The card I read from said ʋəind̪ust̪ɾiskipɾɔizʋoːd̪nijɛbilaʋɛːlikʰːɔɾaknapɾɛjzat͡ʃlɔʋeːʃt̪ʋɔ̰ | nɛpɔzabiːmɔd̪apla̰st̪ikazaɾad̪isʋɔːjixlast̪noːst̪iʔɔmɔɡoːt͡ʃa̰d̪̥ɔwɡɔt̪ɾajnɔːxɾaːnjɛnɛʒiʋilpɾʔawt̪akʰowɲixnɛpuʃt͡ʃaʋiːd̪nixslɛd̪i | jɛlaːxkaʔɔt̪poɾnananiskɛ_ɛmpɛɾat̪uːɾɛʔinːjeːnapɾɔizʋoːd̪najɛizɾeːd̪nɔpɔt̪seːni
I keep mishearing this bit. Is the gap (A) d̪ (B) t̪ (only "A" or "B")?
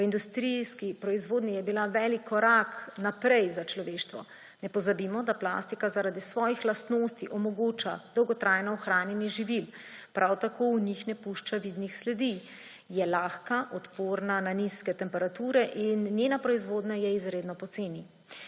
B